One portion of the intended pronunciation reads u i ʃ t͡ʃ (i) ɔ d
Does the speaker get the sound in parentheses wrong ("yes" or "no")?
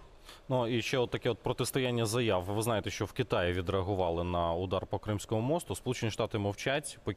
yes